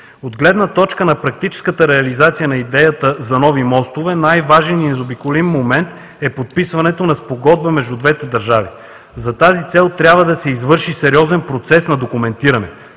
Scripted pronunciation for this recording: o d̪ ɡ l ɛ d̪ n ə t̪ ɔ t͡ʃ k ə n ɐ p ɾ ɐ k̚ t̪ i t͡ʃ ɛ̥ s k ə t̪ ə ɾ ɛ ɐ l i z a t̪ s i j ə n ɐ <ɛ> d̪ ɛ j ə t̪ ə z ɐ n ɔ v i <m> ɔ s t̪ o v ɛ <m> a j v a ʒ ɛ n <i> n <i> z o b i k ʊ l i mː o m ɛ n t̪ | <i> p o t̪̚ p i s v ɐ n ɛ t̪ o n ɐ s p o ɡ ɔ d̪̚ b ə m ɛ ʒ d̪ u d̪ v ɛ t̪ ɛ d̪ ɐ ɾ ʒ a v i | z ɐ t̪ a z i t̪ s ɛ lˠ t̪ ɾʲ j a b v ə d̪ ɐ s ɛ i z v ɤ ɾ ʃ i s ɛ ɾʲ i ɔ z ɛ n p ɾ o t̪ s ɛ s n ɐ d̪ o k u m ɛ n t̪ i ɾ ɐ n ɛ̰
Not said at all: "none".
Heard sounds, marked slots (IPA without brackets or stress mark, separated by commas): i, m, n, i, ɛ, ɛ